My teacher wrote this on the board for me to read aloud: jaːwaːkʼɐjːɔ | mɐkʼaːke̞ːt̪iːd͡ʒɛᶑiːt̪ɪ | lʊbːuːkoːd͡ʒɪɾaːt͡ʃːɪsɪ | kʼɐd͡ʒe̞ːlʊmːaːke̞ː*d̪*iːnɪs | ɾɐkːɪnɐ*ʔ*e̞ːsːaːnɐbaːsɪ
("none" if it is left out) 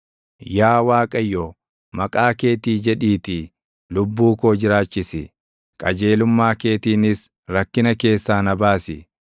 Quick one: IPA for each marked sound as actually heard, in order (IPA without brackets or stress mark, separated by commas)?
t̪, k